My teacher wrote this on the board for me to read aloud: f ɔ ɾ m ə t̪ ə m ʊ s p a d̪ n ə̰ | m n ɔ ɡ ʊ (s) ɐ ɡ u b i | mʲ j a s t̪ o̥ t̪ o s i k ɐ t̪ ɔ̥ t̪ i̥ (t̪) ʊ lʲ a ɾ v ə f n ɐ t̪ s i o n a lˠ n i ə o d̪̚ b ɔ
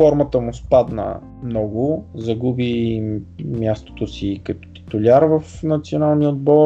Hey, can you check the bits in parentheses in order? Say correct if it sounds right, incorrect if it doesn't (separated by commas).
incorrect, correct